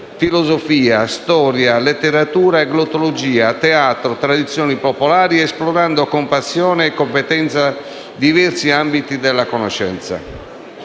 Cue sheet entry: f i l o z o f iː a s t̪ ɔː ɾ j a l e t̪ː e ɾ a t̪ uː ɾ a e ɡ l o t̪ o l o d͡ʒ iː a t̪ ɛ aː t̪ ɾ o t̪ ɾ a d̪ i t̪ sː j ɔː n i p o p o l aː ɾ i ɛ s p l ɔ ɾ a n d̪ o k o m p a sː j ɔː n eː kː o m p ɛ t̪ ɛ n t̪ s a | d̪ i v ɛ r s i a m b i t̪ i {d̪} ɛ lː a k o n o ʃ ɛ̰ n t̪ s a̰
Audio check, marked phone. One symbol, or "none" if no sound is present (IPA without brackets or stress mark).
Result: d̪